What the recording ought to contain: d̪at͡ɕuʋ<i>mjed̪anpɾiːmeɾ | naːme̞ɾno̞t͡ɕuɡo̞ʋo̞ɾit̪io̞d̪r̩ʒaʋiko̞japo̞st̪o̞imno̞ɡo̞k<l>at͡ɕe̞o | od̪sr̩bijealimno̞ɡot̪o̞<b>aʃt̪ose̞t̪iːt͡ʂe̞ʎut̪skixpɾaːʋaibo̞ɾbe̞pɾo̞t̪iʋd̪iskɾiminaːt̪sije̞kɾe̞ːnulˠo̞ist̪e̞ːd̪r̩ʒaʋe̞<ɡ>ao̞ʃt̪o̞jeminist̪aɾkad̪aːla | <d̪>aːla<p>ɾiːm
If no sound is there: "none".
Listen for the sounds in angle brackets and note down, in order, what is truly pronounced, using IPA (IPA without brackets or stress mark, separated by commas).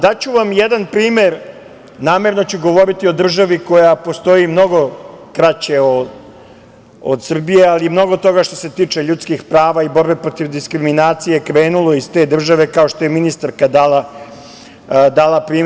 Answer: a, ɾ, ɡ, k, d̪, p